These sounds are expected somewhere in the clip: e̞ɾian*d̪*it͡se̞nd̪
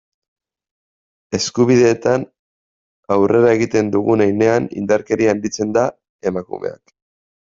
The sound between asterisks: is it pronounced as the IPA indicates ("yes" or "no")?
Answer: yes